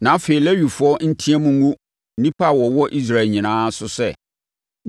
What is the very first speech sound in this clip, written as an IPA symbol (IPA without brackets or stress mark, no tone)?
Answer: n